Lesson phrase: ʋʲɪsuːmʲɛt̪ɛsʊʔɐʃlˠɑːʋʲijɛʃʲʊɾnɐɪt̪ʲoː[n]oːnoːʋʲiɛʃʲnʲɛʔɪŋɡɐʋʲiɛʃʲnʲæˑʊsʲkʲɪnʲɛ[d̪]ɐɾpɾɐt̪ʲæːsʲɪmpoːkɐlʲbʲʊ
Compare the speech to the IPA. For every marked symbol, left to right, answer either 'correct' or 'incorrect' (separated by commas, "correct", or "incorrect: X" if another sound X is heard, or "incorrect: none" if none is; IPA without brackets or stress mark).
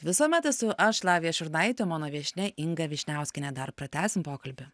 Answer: incorrect: m, correct